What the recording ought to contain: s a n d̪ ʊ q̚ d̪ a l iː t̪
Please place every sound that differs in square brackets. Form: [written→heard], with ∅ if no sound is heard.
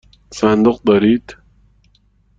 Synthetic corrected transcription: s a n d̪ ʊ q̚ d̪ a [l→ɾ] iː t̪